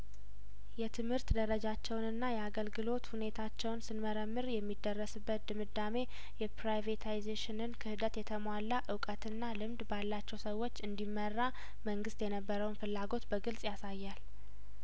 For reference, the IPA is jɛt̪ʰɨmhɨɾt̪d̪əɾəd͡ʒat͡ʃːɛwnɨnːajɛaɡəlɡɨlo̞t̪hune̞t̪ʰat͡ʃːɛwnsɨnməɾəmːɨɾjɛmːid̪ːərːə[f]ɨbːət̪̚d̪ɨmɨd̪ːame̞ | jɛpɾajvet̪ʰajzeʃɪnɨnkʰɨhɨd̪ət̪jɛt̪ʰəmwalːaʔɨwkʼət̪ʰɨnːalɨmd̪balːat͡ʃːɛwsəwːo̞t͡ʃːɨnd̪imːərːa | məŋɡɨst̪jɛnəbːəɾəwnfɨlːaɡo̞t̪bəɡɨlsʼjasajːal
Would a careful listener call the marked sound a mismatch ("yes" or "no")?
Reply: yes